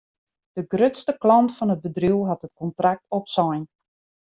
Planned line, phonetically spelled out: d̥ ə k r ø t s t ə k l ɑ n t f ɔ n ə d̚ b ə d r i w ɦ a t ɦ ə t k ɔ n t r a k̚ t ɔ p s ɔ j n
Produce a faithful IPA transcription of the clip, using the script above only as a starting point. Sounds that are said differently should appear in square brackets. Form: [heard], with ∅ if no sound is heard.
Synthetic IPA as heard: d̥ ə [ɡ] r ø t s t ə k l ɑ n t f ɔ n ə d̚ b ə d r i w ɦ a t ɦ ə t k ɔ n t r a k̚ t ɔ p s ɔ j n

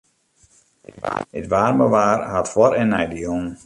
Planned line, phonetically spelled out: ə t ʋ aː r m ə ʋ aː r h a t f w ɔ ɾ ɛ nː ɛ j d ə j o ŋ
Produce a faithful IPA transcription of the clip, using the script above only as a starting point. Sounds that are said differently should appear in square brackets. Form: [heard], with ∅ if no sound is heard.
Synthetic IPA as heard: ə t ʋ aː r m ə ʋ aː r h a t f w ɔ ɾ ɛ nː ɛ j d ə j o ŋ

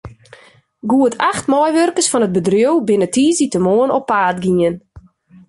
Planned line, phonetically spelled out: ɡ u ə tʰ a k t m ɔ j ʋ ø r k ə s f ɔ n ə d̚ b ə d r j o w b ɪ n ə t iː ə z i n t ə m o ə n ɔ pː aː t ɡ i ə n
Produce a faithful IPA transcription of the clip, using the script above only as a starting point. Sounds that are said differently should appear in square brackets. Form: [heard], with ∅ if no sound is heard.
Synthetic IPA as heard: ɡ u ə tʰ a [x] t m ɔ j ʋ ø r k ə s f ɔ n ə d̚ b ə d r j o w b ɪ n ə t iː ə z i [∅] t ə m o ə n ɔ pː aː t ɡ i ə n

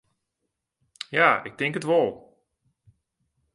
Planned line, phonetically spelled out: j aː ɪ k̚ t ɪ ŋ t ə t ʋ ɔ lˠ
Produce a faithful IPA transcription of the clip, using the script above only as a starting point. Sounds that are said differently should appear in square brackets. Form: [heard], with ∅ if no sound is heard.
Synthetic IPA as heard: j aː ɪ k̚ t ɪ ŋ [k] ə t ʋ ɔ lˠ

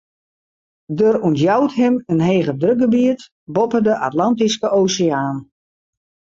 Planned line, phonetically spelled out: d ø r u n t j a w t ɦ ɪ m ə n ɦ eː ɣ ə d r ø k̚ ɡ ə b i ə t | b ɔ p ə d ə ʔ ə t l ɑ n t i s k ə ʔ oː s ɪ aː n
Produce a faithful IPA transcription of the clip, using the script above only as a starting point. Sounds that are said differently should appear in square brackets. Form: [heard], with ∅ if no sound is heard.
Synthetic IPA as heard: d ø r u n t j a w t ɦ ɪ m ə n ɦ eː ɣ ə d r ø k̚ ɡ ə b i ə t | b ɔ p ə d ə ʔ [a] t l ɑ n t i s k ə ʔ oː s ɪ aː n

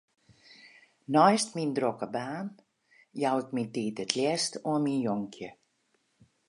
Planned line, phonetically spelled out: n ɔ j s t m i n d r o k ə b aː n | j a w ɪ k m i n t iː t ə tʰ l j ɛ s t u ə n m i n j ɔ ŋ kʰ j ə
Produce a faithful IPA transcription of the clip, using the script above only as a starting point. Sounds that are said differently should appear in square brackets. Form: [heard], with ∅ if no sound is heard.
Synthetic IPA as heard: n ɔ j s t m i n d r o k ə b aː n | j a w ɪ k m i n t iː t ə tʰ l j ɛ s t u ə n m i n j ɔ ŋ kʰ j ə

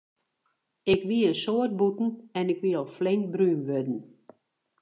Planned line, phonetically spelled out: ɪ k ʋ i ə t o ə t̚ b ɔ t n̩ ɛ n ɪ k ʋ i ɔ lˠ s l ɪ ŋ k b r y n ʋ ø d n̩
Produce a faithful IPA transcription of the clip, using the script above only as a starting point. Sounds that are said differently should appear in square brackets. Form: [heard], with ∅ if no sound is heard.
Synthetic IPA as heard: ɪ k ʋ i ə [s] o ə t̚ b [u] t n̩ ɛ n ɪ k ʋ i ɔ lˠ [f] l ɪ ŋ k b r y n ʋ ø d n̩

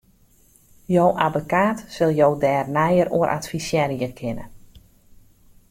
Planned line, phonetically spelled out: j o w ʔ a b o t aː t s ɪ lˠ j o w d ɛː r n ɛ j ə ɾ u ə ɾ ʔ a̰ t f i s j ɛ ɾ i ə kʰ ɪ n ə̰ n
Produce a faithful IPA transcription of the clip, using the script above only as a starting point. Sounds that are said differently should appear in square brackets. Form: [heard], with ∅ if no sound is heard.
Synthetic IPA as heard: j o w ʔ a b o [k] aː t s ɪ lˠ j o w d ɛː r n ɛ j ə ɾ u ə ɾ ʔ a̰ t f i s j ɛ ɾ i ə kʰ ɪ n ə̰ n

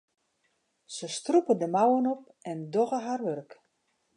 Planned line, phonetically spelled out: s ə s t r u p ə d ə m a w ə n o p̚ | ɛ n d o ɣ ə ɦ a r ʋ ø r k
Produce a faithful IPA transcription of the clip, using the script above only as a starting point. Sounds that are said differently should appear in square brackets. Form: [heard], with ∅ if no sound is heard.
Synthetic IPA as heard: s ə s t r u p ə d ə m a w ə n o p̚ | ɛ n d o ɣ ə ɦ a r ʋ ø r k

